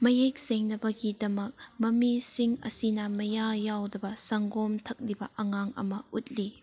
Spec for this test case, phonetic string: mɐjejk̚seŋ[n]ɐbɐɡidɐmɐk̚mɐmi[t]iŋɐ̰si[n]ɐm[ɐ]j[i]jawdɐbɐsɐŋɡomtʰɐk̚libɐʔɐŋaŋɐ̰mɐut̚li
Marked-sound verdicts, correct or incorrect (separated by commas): correct, incorrect, correct, correct, incorrect